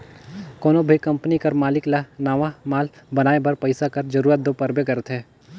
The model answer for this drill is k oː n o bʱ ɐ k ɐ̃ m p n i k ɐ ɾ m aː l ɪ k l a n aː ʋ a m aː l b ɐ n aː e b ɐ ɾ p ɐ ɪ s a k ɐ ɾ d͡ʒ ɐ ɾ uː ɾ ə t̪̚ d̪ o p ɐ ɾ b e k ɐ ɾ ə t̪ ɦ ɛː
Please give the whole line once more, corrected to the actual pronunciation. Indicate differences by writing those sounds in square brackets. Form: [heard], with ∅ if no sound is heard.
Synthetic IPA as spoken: k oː n o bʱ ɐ k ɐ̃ m p n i k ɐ ɾ m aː l ɪ k l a n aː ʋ a m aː l b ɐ n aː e b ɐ ɾ p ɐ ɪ s a k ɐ ɾ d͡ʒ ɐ ɾ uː ɾ ə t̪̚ d̪ o p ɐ ɾ b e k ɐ ɾ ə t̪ ɦ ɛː

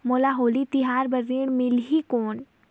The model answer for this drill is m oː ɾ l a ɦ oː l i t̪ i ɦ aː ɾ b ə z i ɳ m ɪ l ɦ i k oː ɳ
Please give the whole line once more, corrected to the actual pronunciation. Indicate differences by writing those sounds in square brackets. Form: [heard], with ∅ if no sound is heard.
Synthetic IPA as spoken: m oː [∅] l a ɦ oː l i t̪ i ɦ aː ɾ b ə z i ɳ m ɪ l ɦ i k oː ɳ

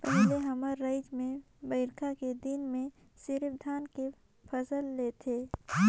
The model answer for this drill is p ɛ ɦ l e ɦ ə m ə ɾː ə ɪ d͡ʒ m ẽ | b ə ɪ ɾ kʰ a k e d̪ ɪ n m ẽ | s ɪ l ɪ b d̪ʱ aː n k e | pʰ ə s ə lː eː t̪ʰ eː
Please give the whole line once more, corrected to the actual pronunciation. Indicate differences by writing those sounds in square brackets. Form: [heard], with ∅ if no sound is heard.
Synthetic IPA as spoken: p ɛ ɦ l e ɦ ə m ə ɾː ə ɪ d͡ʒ m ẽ | b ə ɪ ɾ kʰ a k e d̪ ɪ n m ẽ | s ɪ [ɾ] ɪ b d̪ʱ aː n k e | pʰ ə s ə lː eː t̪ʰ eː

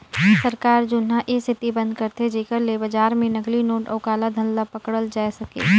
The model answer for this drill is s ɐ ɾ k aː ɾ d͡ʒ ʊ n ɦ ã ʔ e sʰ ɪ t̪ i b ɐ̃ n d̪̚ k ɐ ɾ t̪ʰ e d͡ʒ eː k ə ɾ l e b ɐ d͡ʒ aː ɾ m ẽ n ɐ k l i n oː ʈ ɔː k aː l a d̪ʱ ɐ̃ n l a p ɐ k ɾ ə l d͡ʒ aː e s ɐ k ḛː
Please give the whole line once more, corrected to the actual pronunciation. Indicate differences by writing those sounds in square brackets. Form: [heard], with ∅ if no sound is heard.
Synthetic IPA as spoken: s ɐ ɾ k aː ɾ d͡ʒ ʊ n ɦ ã ʔ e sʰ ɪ t̪ i b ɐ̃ n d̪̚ k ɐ ɾ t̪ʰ e d͡ʒ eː k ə ɾ l e b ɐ d͡ʒ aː ɾ m ẽ n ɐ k l i n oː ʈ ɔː k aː l a d̪ʱ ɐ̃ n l a p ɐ k [ɽ] ə l d͡ʒ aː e s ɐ k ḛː

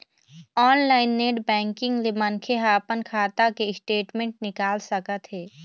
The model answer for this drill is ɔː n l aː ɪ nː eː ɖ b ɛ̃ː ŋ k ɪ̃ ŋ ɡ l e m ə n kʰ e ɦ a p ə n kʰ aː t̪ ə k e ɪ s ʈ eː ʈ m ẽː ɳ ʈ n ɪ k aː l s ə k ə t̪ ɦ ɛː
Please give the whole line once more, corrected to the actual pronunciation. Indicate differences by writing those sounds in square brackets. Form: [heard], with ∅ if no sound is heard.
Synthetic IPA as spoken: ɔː n l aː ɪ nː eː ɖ b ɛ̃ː ŋ k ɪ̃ ŋ ɡ l e m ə n kʰ e ɦ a p ə n kʰ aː t̪ [a] k e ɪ s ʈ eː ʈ m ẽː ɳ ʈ n ɪ k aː l s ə k ə t̪ ɦ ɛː

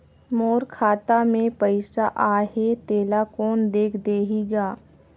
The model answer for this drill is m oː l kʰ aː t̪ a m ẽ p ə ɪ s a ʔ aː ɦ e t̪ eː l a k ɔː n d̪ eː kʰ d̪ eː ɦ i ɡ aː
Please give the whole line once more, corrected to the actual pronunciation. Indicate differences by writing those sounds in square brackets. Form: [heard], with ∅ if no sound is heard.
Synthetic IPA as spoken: m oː [ɾ] kʰ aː t̪ a m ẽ p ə ɪ s a ʔ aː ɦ e t̪ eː l a k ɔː n d̪ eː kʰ d̪ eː ɦ i ɡ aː

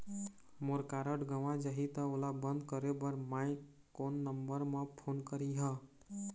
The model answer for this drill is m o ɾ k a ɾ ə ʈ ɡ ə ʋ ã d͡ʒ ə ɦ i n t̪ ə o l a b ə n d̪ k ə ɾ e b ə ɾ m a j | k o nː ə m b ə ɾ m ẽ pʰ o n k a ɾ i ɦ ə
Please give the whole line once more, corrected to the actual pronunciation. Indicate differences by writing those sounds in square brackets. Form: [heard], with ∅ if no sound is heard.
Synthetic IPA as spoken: m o ɾ k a ɾ ə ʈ ɡ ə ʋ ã d͡ʒ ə ɦ i [∅] t̪ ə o l a b ə n d̪ k ə ɾ e b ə ɾ m a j | k o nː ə m b ə ɾ m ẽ pʰ o n k [ə] ɾ i ɦ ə

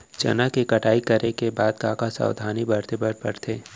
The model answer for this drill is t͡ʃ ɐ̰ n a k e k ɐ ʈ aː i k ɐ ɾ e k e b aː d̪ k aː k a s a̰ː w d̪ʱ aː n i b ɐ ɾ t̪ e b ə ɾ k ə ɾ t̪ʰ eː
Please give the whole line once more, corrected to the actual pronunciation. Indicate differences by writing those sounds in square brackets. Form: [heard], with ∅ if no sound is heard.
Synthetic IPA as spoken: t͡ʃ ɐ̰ n a k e k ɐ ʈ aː i k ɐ ɾ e k e b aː d̪ k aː k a s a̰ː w d̪ʱ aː n i b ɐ ɾ t̪ e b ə ɾ [p] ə ɾ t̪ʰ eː

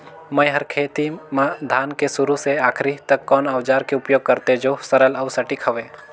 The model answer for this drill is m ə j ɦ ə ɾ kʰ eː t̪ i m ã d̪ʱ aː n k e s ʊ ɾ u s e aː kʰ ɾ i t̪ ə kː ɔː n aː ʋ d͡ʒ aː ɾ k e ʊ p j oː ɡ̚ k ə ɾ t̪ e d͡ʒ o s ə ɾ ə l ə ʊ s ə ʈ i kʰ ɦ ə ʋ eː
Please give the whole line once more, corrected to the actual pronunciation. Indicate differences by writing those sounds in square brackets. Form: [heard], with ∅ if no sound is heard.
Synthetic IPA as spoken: m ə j ɦ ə ɾ kʰ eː t̪ i m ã d̪ʱ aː n k e s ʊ ɾ u s e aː kʰ ɾ i t̪ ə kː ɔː n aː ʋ d͡ʒ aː ɾ k e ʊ p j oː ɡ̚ k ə ɾ t̪ e d͡ʒ o s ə ɾ ə l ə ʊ s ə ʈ i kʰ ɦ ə ʋ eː

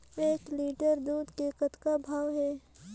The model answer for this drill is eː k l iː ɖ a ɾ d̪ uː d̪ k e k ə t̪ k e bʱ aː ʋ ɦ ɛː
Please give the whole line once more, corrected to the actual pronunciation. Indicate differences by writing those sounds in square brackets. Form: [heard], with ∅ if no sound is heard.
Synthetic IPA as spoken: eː k l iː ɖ [ə] ɾ d̪ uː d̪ k e k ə t̪ k [a] bʱ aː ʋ ɦ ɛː

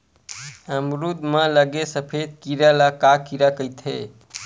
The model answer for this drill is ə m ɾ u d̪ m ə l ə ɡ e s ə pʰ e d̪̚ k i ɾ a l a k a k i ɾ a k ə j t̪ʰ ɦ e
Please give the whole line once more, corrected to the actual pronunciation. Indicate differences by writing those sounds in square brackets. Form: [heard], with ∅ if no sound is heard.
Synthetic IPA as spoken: ə m ɾ u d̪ m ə l ə ɡ e s ə pʰ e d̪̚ k i ɾ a l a k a k i ɾ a k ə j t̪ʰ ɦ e

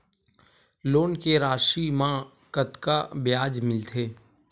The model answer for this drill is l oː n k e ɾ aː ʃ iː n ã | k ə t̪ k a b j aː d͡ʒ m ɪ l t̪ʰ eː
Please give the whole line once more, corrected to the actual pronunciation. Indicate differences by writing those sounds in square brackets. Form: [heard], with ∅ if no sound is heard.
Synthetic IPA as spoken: l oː n k e ɾ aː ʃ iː [m] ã | k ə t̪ k a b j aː d͡ʒ m ɪ l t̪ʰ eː

